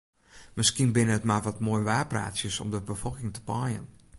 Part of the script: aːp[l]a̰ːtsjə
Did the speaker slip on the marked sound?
yes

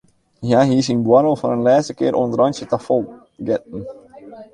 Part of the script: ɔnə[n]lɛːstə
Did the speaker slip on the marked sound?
no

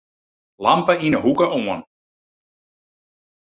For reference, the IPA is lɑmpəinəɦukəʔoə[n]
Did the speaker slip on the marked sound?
no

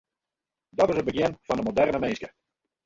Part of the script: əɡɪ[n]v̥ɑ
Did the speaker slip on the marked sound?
no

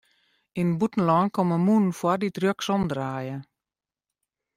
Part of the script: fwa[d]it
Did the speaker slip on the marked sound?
no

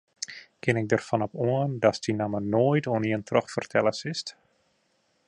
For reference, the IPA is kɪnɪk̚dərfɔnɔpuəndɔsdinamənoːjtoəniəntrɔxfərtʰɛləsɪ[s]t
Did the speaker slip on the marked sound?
no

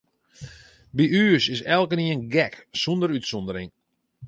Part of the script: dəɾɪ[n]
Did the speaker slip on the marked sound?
yes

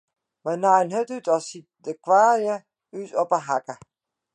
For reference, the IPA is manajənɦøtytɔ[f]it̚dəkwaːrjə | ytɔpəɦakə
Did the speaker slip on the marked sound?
yes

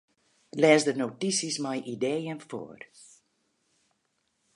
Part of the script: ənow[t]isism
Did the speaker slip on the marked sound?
no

